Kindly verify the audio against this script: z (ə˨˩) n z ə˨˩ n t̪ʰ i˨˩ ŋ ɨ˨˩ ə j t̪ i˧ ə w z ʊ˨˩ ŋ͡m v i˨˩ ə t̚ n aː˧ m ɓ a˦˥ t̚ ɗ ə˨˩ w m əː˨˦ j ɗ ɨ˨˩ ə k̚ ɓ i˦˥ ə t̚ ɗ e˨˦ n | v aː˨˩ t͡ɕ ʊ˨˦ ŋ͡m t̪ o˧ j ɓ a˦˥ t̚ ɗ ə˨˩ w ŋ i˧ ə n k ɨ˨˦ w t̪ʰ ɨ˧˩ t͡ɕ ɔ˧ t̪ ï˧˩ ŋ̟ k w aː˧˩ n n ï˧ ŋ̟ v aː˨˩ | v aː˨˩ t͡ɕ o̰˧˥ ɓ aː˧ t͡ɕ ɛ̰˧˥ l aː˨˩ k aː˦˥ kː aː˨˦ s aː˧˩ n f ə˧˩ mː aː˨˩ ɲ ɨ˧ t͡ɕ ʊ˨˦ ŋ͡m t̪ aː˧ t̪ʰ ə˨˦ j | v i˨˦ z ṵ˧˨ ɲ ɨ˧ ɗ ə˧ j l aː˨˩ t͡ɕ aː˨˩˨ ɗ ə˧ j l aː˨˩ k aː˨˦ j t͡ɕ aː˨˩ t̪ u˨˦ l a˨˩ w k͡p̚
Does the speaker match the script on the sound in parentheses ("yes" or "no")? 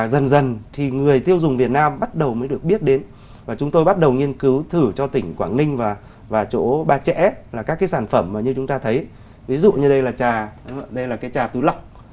yes